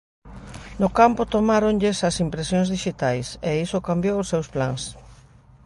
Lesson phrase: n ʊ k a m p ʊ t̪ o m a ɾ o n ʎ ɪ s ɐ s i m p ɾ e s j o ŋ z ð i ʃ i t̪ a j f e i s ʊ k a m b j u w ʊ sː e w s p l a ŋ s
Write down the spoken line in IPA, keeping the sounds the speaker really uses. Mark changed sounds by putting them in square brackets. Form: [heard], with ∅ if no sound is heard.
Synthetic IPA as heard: n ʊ k a m p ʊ t̪ o m a ɾ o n ʎ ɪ s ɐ s i m p ɾ e s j o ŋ z ð i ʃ i t̪ a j [s] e i s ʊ k a m b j [o] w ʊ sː e w s p l a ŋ s